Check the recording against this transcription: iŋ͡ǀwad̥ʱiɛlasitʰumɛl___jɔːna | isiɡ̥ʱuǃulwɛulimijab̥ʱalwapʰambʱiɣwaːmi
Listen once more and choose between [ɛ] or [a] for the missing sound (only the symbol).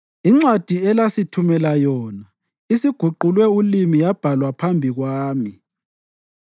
a